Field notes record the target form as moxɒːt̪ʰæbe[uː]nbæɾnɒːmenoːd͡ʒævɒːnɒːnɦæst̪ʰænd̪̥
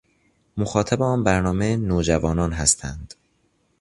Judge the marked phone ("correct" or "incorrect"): incorrect